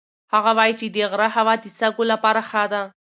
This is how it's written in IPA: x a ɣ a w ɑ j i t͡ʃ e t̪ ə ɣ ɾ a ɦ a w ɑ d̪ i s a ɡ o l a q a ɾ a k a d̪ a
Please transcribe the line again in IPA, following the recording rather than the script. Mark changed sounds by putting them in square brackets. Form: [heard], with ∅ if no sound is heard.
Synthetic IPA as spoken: [h] a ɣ a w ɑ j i t͡ʃ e [d̪] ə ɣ ɾ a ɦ a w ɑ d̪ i s a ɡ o l a [p] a ɾ a [x] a d̪ a